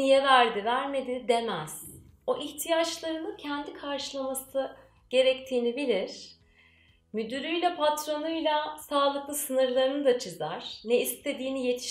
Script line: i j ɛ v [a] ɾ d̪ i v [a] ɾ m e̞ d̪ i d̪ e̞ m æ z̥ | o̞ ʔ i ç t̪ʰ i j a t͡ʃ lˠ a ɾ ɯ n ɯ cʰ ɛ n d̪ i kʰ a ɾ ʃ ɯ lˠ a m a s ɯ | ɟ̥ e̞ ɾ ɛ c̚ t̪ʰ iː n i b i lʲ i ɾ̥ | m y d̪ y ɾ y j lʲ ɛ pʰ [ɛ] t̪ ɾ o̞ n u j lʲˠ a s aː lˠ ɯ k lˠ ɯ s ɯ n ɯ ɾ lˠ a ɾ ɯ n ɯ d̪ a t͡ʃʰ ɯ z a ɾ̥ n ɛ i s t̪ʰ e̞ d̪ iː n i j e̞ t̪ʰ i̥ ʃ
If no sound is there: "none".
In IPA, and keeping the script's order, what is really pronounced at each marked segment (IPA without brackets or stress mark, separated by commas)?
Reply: æ, æ, a